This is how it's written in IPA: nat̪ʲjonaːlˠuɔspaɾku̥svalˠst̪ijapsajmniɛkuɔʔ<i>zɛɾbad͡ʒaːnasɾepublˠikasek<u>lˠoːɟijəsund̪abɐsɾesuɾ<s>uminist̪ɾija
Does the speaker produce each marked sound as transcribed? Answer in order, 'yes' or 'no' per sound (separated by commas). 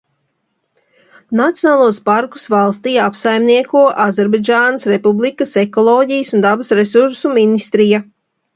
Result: no, no, yes